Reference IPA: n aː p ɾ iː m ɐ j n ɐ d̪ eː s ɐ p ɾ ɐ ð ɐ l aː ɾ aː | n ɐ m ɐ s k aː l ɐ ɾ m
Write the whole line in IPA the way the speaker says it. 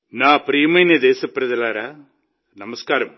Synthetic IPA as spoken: n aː p ɾ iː m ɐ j n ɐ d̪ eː s ɐ p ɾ ɐ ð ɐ l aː ɾ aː | n ɐ m ɐ s k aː ɾ ɐ m